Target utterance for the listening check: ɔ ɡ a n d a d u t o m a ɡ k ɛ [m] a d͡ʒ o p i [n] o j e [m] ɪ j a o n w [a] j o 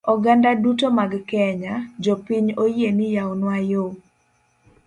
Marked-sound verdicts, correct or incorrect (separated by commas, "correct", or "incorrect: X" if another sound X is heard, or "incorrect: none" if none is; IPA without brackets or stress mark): incorrect: ɲ, incorrect: ɲ, incorrect: n, correct